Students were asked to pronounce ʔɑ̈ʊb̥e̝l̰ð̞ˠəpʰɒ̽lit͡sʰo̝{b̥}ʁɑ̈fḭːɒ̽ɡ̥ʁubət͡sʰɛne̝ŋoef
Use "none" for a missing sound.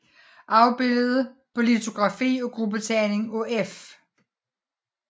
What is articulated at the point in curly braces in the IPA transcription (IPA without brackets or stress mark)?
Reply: ɡ̥